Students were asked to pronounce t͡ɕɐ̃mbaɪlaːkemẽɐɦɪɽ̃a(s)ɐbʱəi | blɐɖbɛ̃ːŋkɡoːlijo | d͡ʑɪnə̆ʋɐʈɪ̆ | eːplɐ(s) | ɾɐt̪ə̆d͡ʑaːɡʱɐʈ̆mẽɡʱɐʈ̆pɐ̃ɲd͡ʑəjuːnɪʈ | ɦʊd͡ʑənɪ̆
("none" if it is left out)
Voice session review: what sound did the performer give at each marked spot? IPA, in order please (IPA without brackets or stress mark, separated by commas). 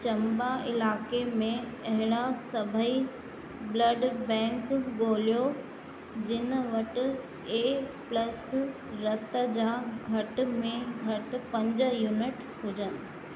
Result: s, s